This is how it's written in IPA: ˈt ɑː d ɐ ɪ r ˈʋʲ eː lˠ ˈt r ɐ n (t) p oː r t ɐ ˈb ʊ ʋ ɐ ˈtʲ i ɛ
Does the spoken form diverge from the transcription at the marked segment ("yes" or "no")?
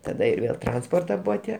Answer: yes